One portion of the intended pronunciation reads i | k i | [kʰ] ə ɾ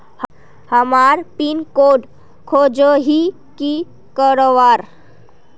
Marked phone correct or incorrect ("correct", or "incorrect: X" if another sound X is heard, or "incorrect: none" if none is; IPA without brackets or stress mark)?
incorrect: k